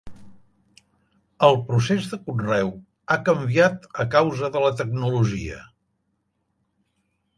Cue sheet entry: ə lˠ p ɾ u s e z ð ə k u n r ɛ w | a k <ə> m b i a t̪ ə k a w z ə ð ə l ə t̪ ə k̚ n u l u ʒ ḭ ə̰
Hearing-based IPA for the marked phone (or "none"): ə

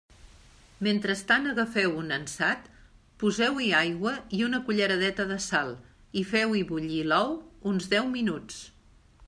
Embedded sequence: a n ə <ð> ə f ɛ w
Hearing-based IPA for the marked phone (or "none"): ɣ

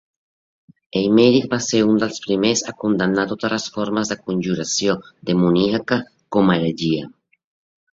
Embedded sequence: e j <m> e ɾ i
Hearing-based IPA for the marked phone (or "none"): m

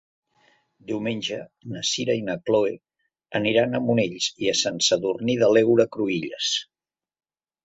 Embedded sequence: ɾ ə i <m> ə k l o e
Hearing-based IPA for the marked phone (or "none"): n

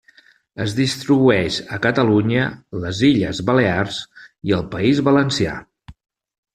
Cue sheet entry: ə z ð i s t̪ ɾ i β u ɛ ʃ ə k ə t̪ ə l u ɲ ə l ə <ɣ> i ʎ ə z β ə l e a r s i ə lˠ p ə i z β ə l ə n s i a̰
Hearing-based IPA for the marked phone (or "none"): z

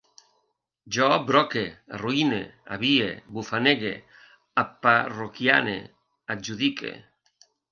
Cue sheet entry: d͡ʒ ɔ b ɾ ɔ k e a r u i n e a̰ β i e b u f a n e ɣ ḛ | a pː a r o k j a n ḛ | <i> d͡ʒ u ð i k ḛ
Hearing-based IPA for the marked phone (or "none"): a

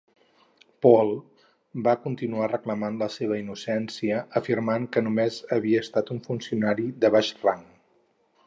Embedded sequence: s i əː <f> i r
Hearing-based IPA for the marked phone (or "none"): f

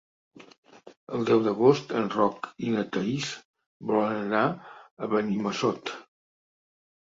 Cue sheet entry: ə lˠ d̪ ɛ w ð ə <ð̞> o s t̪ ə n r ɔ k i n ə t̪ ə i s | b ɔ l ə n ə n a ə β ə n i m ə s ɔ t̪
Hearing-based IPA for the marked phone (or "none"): ɣ̞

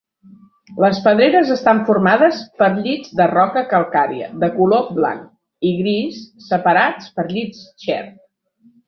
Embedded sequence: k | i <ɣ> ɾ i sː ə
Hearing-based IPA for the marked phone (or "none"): ɣ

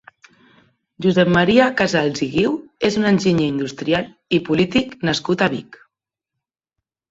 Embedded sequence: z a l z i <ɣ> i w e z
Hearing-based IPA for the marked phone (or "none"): ɣ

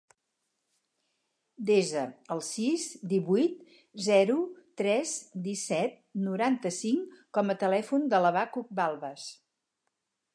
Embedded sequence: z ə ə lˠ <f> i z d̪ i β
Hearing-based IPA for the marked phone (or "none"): s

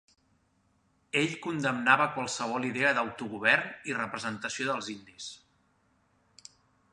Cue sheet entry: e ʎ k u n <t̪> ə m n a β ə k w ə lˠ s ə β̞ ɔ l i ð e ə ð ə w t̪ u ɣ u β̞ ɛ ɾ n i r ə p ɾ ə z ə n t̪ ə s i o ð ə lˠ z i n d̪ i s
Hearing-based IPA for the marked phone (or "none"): d̪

